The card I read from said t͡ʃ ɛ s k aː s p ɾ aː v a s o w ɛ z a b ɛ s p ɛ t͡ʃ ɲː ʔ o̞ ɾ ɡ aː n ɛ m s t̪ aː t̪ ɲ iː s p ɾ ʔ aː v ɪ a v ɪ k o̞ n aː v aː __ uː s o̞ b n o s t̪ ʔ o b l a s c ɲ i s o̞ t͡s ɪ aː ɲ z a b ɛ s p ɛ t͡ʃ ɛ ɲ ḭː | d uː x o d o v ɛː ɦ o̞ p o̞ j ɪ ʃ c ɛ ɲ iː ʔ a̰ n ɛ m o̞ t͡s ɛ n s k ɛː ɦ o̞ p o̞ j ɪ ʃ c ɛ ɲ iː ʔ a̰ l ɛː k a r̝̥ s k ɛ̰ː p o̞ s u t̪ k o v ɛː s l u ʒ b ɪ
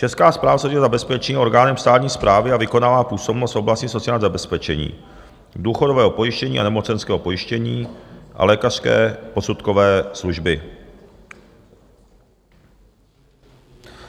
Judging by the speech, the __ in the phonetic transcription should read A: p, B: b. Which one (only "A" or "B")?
A